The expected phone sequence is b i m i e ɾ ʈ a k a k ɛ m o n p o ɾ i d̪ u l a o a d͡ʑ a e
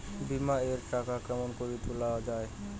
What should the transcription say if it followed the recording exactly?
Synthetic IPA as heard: b i m a e ɾ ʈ a k a k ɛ m o n k o ɾ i t̪ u l a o a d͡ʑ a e